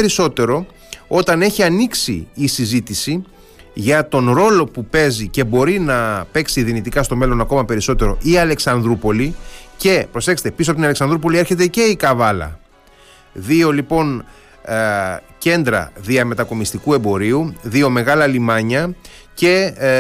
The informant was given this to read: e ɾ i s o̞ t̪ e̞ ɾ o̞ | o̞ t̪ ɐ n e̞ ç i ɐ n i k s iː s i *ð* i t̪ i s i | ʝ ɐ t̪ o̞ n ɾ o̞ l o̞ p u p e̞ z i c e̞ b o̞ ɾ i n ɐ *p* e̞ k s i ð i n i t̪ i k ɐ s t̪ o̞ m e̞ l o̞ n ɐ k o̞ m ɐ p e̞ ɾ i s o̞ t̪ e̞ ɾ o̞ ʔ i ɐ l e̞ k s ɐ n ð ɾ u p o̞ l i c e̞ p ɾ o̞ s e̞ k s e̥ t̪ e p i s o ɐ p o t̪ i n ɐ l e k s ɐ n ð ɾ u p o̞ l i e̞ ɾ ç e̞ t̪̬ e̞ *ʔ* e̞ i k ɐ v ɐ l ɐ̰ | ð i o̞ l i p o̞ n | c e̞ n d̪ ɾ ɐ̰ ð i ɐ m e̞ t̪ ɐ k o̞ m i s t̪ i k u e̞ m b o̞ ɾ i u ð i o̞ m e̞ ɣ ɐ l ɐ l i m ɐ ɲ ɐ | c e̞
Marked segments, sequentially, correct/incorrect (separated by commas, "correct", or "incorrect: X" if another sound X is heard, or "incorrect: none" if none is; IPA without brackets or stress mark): incorrect: z, correct, incorrect: c